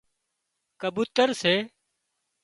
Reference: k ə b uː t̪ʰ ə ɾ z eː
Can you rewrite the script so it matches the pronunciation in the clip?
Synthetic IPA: k ə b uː t̪ ə ɾ s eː